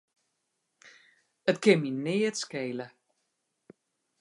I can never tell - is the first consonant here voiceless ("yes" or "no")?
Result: yes